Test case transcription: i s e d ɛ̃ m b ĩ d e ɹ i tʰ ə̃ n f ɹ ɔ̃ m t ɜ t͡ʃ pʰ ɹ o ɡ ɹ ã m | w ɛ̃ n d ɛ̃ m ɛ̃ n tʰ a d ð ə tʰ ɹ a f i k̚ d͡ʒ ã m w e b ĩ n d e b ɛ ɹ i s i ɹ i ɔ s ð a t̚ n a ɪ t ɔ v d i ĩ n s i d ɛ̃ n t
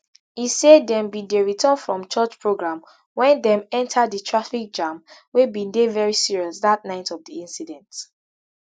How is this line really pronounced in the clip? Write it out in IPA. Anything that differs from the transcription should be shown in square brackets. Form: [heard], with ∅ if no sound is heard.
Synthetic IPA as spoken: i s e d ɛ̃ m b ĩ d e ɹ i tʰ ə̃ n f ɹ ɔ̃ m [t͡ʃ] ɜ t͡ʃ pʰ ɹ o ɡ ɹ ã m | w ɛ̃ n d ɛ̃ m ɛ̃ n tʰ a d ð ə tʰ ɹ a f i k̚ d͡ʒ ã m w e b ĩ n d e [v] ɛ ɹ i s i ɹ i ɔ s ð a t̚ n a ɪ t ɔ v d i ĩ n s i d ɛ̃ n t